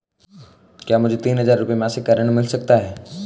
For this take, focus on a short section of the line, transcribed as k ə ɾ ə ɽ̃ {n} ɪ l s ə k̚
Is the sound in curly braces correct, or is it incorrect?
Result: incorrect